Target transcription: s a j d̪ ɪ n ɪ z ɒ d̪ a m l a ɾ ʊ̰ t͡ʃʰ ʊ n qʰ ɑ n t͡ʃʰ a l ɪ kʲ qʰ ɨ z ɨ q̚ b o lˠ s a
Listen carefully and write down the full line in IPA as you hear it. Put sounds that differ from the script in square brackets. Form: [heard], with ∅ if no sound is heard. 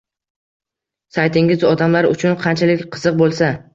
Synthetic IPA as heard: s a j [t̪] ɪ [ŋ] ɪ z ɒ d̪ a m l a ɾ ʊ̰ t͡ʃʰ ʊ n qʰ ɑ n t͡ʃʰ a l ɪ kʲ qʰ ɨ z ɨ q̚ b o lˠ s a